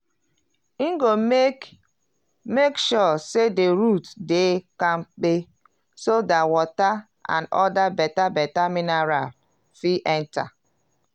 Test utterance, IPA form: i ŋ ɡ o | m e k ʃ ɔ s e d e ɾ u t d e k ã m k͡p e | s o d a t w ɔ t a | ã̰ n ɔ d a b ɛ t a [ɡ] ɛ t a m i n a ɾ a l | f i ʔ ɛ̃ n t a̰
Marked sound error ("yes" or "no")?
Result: yes